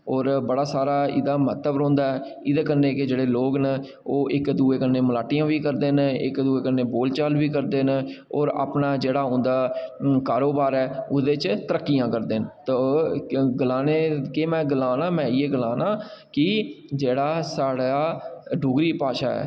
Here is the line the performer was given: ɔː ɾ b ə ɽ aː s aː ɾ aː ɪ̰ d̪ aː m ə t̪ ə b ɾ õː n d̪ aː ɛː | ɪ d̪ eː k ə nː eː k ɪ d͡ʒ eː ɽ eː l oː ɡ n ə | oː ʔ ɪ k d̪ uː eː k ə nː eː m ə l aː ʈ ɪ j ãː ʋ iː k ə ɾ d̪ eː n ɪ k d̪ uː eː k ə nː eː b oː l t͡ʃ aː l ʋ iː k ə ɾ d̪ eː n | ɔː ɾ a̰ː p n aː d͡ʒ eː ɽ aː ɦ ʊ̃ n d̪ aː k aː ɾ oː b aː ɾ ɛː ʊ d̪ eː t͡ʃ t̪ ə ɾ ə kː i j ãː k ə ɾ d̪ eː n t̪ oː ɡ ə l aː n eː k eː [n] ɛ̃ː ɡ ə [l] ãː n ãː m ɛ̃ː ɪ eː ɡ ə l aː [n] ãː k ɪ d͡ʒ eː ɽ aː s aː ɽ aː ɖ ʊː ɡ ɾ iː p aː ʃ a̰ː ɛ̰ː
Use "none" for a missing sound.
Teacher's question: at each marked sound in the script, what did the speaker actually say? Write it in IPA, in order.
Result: m, l, n

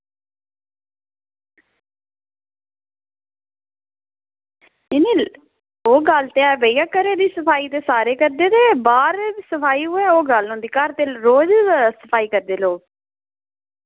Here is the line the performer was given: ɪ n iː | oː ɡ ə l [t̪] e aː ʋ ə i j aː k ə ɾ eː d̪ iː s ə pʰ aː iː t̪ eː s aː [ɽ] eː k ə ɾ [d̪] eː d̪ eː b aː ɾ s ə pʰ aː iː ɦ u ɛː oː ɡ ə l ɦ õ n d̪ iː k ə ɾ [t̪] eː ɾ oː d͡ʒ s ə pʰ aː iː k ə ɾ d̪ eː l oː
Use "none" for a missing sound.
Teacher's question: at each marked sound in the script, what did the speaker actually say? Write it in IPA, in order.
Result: t̪, ɾ, d̪, t̪

